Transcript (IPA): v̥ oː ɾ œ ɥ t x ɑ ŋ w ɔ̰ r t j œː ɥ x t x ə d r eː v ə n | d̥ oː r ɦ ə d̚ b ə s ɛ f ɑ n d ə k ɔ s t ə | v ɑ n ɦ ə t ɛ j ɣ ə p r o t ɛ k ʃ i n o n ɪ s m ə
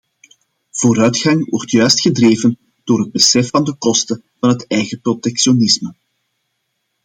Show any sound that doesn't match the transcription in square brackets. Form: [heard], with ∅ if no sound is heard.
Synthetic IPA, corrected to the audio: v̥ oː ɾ œ ɥ t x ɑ ŋ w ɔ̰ r t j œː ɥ [s] t x ə d r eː v ə n | d̥ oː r ɦ ə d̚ b ə s ɛ f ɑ n d ə k ɔ s t ə | v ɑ n ɦ ə t ɛ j ɣ ə p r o t ɛ k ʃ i [∅] o n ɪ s m ə